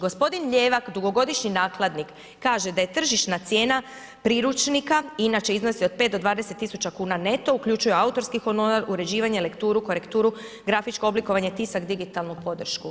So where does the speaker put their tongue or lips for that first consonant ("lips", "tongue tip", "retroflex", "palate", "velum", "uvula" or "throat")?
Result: velum